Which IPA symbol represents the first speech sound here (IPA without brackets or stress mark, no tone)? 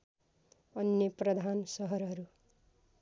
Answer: ʌ